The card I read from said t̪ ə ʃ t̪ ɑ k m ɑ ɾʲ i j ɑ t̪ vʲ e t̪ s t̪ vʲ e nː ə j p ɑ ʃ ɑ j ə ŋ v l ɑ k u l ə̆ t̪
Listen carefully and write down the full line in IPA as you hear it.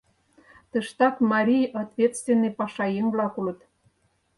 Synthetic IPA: t̪ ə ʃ t̪ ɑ k m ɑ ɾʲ i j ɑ t̪ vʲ e t̪ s t̪ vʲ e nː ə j p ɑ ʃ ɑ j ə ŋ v l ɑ k u l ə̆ t̪